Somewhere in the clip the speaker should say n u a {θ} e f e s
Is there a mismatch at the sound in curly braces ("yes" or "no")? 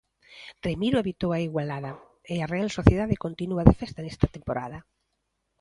yes